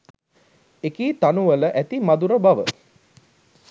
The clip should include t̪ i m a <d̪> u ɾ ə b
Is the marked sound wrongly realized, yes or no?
no